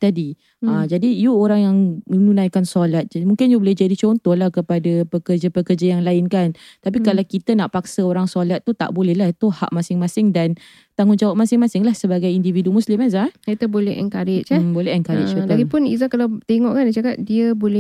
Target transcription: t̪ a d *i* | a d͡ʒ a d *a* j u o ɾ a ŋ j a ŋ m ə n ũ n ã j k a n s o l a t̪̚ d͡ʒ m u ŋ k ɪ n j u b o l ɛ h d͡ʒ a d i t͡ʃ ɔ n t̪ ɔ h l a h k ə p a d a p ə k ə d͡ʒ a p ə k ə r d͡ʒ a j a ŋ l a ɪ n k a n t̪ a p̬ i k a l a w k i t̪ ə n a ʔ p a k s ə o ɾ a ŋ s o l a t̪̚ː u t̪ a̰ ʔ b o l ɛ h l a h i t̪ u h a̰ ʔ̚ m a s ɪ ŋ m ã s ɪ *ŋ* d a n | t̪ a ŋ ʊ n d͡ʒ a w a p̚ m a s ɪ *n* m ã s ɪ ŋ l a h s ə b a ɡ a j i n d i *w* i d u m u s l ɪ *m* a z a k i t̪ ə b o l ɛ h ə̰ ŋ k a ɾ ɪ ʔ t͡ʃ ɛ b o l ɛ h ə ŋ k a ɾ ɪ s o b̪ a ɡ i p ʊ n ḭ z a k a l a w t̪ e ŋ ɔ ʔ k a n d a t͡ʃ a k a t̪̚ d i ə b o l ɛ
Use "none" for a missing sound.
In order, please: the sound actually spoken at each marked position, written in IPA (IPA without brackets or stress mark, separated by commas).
i, i, ŋ, ŋ, v, m